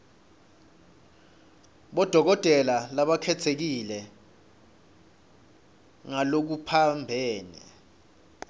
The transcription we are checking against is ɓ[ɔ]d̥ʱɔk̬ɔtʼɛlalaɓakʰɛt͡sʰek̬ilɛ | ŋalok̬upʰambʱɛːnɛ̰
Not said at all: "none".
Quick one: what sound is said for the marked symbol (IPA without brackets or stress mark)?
ɔ